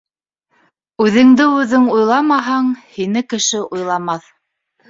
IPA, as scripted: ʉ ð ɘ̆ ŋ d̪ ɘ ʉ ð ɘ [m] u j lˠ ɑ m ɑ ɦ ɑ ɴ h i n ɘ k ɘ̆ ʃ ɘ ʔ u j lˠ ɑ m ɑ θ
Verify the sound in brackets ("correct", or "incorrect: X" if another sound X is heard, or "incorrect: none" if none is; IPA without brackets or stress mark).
incorrect: ŋ